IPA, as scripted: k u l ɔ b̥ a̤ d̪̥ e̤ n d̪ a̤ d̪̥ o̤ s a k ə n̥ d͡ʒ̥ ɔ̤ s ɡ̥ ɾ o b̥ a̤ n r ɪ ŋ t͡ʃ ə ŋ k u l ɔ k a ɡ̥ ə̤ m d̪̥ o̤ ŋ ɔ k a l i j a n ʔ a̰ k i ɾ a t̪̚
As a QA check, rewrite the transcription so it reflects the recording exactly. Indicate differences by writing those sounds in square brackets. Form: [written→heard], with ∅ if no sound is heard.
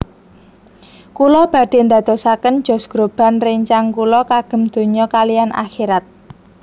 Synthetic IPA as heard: k u l ɔ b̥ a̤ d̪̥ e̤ n d̪ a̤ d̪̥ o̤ s a k ə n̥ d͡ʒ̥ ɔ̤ s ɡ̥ ɾ o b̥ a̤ n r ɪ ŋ t͡ʃ [ə→a] ŋ k u l ɔ k a ɡ̥ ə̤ m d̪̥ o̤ [ŋ→ɲ] ɔ k a l i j a n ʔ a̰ [k→x] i ɾ a t̪̚